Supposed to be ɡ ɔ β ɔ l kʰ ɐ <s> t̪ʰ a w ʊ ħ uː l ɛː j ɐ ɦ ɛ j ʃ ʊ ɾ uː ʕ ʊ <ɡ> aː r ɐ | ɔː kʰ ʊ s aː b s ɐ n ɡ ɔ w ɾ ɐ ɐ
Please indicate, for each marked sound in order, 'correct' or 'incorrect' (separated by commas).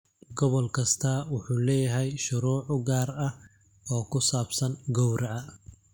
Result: correct, correct